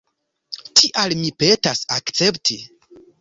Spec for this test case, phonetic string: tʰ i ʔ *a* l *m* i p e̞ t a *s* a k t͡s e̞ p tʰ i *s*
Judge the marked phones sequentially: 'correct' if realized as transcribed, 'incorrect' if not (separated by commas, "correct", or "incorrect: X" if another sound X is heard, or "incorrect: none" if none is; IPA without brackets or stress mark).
correct, correct, correct, incorrect: none